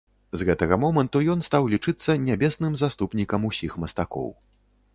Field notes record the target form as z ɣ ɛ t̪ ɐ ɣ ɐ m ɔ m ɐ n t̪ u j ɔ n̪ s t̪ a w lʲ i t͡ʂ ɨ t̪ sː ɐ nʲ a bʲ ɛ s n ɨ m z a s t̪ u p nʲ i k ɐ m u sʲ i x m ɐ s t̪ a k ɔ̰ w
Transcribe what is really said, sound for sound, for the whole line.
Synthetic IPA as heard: z ɣ ɛ t̪ ɐ ɣ ɐ m ɔ m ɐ n t̪ u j ɔ n̪ s t̪ a w lʲ i t͡ʂ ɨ t̪ sː ɐ nʲ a bʲ ɛ s n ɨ m z a s t̪ u p nʲ i k ɐ m u sʲ i x m ɐ s t̪ a k ɔ̰ w